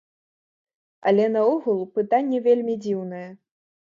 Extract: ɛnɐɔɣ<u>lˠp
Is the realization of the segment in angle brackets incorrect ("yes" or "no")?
no